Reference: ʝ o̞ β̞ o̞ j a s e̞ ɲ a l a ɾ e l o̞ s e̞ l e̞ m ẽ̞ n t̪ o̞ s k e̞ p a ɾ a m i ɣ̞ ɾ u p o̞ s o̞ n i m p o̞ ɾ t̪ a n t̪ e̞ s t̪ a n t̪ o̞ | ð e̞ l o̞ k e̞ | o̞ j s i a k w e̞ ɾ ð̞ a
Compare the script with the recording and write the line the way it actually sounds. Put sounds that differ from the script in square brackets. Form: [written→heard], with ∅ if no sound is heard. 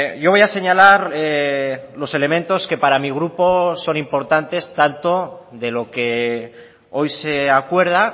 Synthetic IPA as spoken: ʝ o̞ β̞ o̞ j a s e̞ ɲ a l a ɾ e l o̞ s e̞ l e̞ m ẽ̞ n t̪ o̞ s k e̞ p a ɾ a m i ɣ̞ ɾ u p o̞ s o̞ n i m p o̞ ɾ t̪ a n t̪ e̞ s t̪ a n t̪ o̞ | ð e̞ l o̞ k e̞ | o̞ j s [i→e] a k w e̞ ɾ ð̞ a

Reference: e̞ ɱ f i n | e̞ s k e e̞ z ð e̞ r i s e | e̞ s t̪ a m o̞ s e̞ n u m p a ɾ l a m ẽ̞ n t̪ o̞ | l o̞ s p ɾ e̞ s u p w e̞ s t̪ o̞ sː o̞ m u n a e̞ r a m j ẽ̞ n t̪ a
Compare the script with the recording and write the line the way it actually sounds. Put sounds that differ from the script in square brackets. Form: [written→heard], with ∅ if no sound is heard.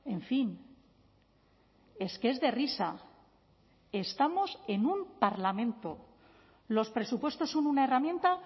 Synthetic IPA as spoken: e̞ ɱ f i n | e̞ s k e e̞ z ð e̞ r i s [e→a] | e̞ s t̪ a m o̞ s e̞ n u m p a ɾ l a m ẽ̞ n t̪ o̞ | l o̞ s p ɾ e̞ s u p w e̞ s t̪ o̞ sː o̞ [m→n] u n a e̞ r a m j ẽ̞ n t̪ a

